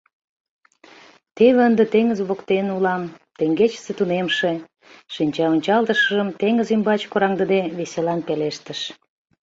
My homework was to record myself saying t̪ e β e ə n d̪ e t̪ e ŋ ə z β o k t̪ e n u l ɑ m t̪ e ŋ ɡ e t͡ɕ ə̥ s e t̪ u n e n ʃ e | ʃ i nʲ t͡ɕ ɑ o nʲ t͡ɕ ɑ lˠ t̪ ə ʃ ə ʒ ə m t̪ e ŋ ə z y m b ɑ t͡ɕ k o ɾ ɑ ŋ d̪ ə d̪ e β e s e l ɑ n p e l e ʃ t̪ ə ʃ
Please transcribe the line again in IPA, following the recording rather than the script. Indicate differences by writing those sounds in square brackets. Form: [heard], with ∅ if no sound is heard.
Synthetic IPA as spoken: t̪ e β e ə n d̪ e t̪ e ŋ ə z β o k t̪ e n u l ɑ m t̪ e ŋ ɡ e t͡ɕ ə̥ s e t̪ u n e [m] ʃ e | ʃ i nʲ t͡ɕ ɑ o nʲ t͡ɕ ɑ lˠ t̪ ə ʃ ə ʒ ə m t̪ e ŋ ə z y m b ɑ t͡ɕ k o ɾ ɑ ŋ d̪ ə d̪ e β e s e l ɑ n p e l e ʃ t̪ ə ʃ